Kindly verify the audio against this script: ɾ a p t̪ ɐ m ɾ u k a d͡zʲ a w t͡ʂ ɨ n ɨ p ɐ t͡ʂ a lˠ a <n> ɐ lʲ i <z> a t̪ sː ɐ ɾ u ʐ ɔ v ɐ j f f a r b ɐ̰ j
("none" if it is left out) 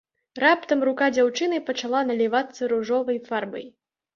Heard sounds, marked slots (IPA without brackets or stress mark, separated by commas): n, v